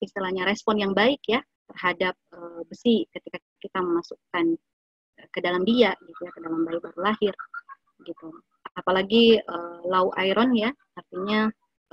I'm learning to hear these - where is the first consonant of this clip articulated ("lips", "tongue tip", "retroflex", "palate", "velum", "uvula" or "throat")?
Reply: tongue tip